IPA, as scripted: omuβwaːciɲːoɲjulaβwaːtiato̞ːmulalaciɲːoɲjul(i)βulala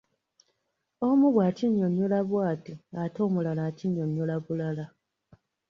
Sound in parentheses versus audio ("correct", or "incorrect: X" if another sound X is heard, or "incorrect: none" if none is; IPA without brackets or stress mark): incorrect: a